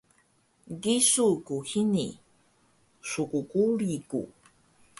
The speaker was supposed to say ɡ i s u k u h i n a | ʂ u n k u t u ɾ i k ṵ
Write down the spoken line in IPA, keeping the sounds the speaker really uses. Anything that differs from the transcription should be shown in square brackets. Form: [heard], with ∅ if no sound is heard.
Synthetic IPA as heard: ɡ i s u k u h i n [i] | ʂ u [∅] k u [k] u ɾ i k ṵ